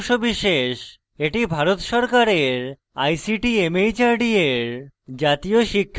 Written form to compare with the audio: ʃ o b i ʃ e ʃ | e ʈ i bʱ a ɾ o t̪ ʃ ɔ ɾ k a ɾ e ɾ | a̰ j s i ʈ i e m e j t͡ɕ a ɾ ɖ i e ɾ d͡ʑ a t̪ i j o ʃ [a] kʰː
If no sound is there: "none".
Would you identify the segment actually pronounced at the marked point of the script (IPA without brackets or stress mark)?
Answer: i